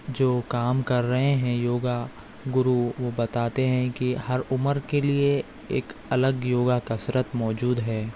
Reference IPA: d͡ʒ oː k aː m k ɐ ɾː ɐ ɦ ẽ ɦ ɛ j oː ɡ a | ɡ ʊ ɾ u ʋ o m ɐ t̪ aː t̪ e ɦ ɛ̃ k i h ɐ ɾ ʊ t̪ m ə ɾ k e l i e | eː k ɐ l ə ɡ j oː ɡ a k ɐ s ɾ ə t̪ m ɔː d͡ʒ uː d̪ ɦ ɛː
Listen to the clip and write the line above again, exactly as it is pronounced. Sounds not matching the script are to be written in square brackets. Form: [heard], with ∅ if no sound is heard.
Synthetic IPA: d͡ʒ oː k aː m k ɐ ɾː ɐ ɦ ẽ ɦ [ɛ̃] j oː ɡ a | ɡ ʊ ɾ u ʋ o [b] ɐ t̪ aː t̪ e ɦ ɛ̃ k i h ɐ ɾ ʊ [∅] m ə ɾ k e l i e | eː k ɐ l ə ɡ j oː ɡ a k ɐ s ɾ ə t̪ m ɔː d͡ʒ uː d̪ ɦ ɛː

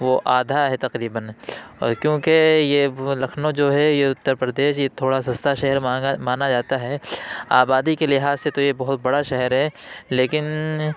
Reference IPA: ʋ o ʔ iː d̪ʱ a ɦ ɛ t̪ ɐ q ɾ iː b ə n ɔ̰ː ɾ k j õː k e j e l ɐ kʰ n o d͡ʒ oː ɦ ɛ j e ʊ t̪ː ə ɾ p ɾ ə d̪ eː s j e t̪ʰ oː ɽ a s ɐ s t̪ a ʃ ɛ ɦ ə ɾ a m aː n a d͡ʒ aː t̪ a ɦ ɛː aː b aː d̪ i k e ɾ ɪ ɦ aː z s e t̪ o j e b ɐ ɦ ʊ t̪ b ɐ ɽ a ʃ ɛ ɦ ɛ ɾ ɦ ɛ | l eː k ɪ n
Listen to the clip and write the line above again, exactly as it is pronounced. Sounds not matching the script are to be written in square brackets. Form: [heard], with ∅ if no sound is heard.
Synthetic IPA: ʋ o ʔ [aː] d̪ʱ a ɦ ɛ t̪ ɐ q ɾ iː b ə n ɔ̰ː ɾ k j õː k e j e l ɐ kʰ n o d͡ʒ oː ɦ ɛ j e ʊ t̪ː ə ɾ p ɾ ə d̪ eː [ʃ] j e t̪ʰ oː ɽ a s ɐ s t̪ a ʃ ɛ ɦ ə ɾ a m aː n a d͡ʒ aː t̪ a ɦ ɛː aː b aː d̪ i k e [l] ɪ ɦ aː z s e t̪ o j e b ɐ ɦ ʊ t̪ b ɐ ɽ a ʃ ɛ ɦ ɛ ɾ ɦ ɛ | l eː k ɪ n

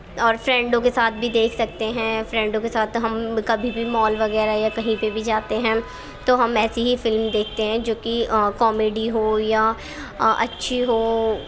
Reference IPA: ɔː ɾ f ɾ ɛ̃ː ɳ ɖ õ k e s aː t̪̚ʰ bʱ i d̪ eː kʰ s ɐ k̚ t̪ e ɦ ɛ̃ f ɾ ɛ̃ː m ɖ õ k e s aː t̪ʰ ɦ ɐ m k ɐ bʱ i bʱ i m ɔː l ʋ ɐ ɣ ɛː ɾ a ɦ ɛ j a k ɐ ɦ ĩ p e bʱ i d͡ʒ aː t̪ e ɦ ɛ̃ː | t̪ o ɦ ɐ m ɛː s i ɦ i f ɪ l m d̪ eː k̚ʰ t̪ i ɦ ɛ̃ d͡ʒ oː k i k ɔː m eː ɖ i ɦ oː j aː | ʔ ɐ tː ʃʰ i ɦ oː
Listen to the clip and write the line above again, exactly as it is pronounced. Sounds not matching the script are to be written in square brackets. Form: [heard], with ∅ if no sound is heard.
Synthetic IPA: ɔː ɾ f ɾ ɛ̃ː ɳ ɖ õ k e s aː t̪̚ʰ bʱ i d̪ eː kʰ s ɐ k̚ t̪ e ɦ ɛ̃ f ɾ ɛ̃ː [ɳ] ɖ õ k e s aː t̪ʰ ɦ ɐ m k ɐ bʱ i bʱ i m ɔː l ʋ ɐ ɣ ɛː ɾ a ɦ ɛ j a k ɐ ɦ ĩ p e bʱ i d͡ʒ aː t̪ e ɦ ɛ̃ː | t̪ o ɦ ɐ m ɛː s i ɦ i f ɪ l m d̪ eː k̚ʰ t̪ [e] ɦ ɛ̃ d͡ʒ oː k i k ɔː m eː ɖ i ɦ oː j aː | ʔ ɐ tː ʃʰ i ɦ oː

